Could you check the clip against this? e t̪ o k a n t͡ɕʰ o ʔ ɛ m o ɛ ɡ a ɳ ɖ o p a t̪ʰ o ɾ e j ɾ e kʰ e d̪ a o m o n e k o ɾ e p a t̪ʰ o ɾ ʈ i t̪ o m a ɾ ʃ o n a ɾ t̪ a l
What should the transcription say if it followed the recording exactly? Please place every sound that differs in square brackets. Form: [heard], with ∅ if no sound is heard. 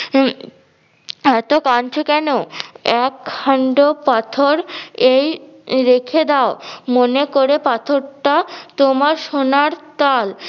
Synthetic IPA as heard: [ɛ] t̪ o k a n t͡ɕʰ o [k] ɛ [n] o ɛ [k] a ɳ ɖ o p a t̪ʰ o ɾ e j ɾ e kʰ e d̪ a o m o n e k o ɾ e p a t̪ʰ o ɾ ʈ [a] t̪ o m a ɾ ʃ o n a ɾ t̪ a l